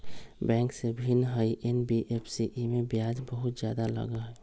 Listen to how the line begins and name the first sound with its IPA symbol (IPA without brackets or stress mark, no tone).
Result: b